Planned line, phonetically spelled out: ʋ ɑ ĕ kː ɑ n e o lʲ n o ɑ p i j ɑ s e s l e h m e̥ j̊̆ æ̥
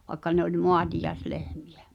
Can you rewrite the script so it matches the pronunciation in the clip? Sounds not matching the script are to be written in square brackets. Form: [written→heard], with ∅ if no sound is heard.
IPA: ʋ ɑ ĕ kː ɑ n e o lʲ [n→m] o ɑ [p→t] i j ɑ [s→∅] e s l e h m [e̥→i̥] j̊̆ æ̥